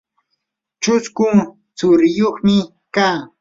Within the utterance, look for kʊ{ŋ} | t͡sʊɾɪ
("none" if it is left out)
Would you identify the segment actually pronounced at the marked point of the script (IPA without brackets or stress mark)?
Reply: ŋ